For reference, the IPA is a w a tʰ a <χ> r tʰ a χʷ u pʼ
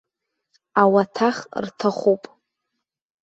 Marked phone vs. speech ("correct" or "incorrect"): correct